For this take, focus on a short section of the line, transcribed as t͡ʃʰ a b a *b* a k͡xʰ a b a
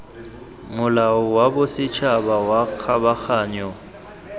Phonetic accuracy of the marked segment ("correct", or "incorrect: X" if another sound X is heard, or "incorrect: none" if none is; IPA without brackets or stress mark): incorrect: w